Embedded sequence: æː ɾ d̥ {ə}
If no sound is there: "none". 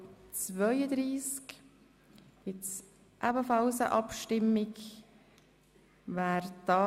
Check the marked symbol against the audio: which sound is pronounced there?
ɑ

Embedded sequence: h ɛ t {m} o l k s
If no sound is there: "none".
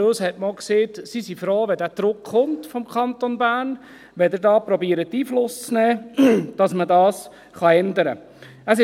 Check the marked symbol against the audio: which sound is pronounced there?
m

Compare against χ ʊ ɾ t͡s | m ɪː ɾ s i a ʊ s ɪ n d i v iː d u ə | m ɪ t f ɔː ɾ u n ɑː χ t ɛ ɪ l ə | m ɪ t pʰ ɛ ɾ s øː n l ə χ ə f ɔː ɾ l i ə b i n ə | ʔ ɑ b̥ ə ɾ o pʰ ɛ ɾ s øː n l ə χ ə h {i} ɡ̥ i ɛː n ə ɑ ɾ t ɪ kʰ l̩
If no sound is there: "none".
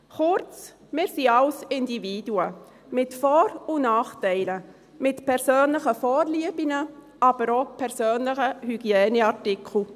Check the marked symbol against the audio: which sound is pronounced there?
y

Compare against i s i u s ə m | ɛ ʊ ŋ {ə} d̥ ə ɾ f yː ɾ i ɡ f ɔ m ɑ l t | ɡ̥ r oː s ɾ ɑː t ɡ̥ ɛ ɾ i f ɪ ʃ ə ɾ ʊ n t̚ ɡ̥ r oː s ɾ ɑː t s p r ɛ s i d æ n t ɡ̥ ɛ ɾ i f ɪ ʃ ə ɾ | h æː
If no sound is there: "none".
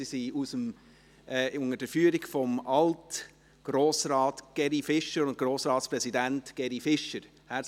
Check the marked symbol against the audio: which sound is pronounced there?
ə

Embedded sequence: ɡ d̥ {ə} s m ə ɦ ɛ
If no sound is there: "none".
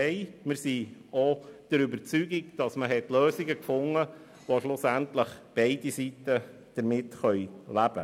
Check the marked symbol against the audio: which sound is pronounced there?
ɑ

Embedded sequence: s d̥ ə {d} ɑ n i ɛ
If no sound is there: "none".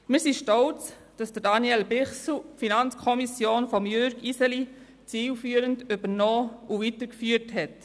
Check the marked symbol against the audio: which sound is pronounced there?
d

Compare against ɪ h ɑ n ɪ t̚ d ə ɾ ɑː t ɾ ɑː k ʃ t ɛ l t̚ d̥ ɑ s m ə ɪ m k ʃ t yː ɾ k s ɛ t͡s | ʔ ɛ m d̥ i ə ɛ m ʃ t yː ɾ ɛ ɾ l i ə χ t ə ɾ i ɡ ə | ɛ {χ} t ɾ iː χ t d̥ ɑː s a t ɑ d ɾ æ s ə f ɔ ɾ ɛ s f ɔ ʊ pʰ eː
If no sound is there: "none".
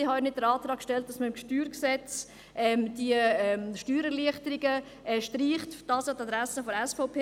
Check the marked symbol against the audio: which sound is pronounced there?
ʃ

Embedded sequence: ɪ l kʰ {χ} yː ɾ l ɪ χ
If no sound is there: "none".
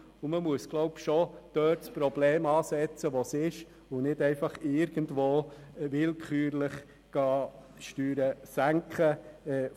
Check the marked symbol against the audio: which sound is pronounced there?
χ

